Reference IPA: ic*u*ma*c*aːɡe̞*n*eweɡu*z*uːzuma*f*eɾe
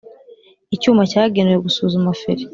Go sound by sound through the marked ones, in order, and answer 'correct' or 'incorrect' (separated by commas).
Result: incorrect, correct, correct, incorrect, correct